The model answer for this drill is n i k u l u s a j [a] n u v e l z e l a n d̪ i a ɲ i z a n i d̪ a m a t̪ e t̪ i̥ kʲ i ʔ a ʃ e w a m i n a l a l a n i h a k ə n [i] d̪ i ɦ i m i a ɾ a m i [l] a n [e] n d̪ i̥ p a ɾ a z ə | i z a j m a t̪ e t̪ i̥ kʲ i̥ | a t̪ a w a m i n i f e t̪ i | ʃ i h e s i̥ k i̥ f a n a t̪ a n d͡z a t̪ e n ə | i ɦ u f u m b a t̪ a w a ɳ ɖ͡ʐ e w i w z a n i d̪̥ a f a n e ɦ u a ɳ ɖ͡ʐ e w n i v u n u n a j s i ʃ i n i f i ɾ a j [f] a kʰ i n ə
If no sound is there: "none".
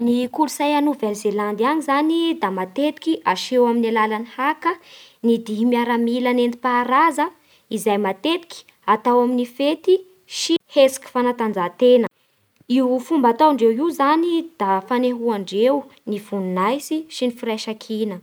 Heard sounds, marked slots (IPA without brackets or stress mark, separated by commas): a, i, l, e, ʃ